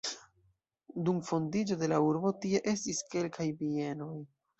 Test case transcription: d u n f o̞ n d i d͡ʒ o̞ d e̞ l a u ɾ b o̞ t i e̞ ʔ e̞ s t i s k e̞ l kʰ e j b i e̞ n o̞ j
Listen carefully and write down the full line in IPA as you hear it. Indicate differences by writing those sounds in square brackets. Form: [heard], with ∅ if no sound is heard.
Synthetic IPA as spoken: d u [m] f o̞ n d i d͡ʒ o̞ d e̞ l a u ɾ b o̞ t i e̞ ʔ e̞ s t i s k e̞ l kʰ [a] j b i e̞ n o̞ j